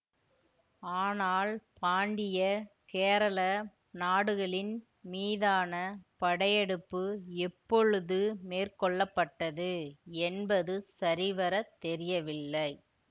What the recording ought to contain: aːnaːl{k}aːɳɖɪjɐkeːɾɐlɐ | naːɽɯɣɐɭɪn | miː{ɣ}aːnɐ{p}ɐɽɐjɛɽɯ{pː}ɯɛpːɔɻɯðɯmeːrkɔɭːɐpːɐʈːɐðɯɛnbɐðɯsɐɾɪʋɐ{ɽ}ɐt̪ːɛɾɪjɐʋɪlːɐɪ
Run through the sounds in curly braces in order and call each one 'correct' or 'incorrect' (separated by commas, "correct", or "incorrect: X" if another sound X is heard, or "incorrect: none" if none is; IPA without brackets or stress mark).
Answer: incorrect: p, incorrect: ð, correct, correct, incorrect: ɾ